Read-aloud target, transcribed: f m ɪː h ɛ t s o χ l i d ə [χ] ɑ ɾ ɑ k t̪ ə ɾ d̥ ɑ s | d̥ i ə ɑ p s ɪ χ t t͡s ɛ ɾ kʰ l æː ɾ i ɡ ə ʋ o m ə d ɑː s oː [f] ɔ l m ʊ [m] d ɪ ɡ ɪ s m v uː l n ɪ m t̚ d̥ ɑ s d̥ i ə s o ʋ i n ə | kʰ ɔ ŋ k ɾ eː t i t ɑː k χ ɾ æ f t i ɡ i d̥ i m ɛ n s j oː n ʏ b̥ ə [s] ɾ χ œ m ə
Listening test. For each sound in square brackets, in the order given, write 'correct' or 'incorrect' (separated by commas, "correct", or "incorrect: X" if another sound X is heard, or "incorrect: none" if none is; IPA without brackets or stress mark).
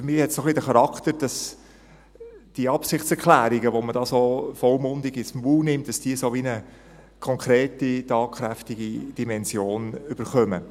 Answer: correct, correct, incorrect: n, incorrect: none